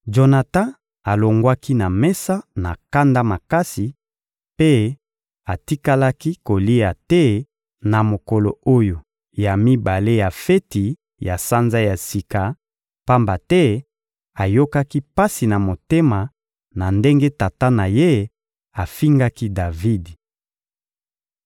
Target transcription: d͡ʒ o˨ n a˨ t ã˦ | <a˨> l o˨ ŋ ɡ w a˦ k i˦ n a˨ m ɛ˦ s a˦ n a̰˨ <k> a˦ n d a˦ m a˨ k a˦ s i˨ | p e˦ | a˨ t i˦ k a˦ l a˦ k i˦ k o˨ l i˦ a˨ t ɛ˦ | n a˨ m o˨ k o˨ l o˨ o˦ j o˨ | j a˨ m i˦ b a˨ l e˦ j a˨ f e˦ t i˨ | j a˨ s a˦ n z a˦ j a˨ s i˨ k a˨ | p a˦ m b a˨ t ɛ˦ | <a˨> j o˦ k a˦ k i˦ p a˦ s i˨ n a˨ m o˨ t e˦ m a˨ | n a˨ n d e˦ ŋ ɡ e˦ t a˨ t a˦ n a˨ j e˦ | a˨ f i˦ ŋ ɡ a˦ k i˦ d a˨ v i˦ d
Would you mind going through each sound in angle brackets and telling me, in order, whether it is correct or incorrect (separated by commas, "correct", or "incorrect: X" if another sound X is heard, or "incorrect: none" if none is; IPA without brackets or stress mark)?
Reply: correct, correct, correct